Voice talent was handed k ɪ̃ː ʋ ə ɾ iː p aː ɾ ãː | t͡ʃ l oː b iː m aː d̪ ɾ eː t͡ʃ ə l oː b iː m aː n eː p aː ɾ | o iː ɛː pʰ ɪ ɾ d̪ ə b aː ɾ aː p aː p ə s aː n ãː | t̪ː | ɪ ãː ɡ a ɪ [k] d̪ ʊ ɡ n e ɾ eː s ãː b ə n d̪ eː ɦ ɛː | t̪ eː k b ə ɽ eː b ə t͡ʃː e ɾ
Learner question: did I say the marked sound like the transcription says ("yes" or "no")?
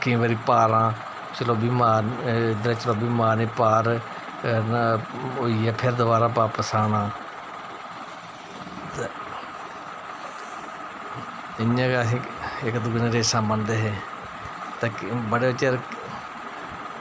yes